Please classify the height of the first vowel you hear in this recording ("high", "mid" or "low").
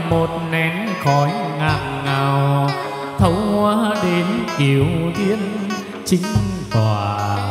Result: mid